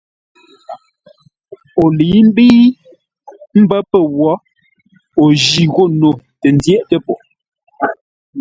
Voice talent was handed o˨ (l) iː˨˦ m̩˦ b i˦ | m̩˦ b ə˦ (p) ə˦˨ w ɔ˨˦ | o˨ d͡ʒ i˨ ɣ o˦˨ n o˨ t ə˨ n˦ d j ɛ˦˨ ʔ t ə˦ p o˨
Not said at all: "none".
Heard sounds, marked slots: l, p

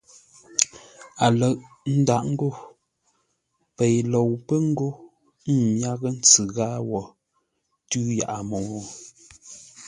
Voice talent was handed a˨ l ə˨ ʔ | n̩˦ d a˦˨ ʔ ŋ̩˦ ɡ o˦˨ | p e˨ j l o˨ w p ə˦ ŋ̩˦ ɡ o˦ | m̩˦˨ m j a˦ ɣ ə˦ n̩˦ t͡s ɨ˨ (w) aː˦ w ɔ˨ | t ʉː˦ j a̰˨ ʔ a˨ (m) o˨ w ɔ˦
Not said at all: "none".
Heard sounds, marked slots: ɣ, m

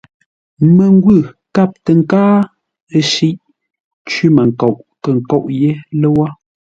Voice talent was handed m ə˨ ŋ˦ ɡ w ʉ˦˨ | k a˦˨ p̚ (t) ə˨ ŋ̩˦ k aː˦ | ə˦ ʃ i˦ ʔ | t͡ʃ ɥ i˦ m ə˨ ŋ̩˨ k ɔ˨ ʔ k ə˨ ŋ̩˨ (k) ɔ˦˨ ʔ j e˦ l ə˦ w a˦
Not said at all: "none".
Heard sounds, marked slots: t, k

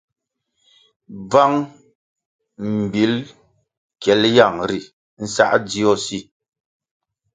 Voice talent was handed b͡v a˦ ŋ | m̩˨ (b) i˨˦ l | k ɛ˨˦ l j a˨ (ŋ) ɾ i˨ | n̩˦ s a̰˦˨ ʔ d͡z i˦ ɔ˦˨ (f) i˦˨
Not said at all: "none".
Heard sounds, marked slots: b, ŋ, s

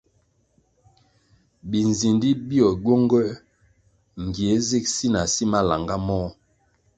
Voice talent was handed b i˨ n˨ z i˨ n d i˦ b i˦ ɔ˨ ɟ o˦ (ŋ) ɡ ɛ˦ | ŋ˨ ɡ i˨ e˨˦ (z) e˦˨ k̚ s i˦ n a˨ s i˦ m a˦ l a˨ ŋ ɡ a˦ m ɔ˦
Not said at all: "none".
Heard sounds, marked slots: ŋ, z

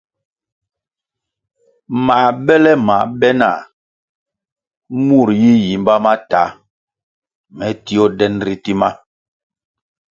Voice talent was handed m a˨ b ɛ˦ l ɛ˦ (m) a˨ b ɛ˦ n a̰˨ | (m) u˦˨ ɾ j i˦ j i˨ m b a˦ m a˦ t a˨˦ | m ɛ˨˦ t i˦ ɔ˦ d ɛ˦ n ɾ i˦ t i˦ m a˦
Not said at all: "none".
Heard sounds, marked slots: m, m

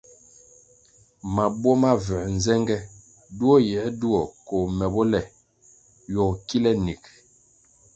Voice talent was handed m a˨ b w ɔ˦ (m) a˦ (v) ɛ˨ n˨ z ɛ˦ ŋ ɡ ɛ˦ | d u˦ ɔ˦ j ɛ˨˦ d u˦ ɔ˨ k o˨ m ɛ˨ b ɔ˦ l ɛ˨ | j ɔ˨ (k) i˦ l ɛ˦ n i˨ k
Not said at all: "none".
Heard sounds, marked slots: m, v, k

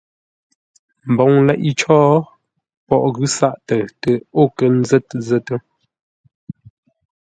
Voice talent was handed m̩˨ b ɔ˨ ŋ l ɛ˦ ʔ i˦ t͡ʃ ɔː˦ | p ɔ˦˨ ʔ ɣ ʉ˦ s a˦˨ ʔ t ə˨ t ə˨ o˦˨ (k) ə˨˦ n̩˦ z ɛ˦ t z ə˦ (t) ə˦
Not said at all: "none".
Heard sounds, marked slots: k, t

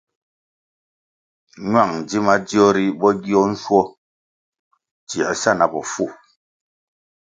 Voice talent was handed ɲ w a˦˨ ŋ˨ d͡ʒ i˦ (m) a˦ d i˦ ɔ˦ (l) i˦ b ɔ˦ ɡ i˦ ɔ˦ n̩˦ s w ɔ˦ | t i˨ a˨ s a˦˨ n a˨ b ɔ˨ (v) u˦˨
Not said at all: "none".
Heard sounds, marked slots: m, ɾ, f

